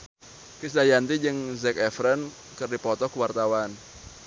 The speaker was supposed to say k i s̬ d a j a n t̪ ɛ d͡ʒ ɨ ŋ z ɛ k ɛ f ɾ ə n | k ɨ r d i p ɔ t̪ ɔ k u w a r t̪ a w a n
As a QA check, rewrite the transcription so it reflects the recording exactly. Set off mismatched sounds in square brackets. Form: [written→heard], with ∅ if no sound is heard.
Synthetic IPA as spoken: k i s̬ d a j a n t̪ [ɛ→i] d͡ʒ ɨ ŋ z ɛ k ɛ f ɾ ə n | k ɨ r d i p ɔ t̪ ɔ k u w a r t̪ a w a n